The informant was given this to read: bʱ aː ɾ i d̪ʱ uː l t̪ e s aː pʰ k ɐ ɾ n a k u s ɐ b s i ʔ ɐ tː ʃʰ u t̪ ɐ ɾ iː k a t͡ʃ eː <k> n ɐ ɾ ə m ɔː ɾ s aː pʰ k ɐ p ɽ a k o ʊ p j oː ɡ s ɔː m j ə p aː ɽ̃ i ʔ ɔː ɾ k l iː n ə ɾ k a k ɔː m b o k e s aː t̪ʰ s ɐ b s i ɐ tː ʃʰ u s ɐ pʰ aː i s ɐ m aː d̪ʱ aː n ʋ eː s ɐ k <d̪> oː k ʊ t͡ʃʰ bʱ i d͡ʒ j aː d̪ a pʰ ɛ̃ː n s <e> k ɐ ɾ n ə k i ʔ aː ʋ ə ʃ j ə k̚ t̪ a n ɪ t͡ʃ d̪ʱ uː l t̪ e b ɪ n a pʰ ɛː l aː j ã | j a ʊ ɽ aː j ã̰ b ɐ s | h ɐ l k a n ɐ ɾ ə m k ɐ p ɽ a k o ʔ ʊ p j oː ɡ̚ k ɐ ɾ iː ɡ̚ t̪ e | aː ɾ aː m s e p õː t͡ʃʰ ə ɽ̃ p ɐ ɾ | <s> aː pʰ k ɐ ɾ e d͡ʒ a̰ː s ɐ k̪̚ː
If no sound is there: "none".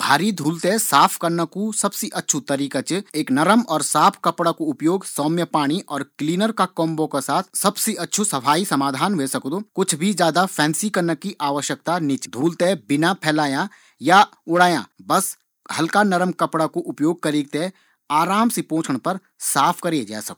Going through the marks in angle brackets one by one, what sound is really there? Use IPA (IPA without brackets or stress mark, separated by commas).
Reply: k, d̪, i, s